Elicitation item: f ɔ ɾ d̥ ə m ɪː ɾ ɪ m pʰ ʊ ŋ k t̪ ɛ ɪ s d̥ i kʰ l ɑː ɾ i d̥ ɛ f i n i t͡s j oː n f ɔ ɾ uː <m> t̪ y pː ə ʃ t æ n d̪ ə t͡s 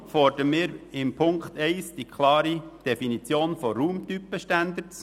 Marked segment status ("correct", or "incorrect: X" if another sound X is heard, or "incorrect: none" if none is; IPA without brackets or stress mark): correct